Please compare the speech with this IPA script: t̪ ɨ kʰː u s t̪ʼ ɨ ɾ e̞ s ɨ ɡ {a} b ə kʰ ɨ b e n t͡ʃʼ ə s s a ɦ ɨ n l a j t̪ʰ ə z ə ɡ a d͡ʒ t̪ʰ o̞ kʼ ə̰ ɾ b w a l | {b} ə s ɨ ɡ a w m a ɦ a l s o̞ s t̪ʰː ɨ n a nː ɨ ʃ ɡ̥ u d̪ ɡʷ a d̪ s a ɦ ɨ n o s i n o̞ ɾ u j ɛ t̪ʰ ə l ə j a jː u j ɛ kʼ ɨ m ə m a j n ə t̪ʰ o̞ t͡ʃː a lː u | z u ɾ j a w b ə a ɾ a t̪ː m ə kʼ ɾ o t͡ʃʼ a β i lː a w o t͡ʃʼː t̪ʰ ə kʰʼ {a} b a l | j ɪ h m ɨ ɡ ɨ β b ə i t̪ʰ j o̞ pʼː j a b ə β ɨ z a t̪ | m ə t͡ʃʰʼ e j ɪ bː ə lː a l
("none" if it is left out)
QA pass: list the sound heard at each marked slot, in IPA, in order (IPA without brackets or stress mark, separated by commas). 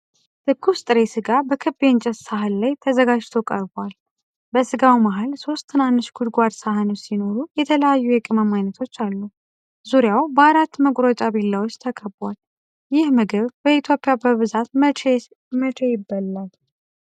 a, b, ə